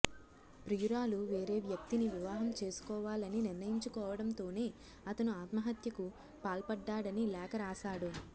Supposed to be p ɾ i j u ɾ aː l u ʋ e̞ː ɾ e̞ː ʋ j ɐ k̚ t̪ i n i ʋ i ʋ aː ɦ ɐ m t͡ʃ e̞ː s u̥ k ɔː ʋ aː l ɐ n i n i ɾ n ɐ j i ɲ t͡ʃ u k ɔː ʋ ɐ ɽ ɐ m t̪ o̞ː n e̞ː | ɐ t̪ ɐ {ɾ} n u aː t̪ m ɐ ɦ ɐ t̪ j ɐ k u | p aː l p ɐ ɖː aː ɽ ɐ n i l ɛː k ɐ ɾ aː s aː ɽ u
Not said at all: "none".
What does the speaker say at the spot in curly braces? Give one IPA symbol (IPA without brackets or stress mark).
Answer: none